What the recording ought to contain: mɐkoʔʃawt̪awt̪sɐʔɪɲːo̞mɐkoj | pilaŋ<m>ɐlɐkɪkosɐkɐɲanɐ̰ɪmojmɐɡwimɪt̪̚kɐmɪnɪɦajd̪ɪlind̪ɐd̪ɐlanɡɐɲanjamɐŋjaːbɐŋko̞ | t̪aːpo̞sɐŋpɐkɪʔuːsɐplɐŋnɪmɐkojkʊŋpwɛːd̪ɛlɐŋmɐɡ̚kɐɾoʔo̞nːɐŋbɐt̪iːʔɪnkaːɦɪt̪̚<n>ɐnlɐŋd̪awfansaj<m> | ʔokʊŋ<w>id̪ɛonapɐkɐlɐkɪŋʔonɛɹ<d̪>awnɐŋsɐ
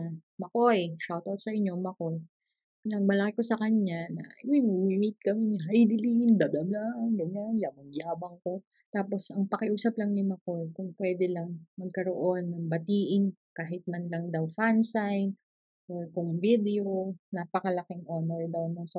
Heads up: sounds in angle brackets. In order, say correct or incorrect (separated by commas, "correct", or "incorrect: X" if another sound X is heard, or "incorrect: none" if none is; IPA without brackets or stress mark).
correct, incorrect: m, incorrect: n, incorrect: v, correct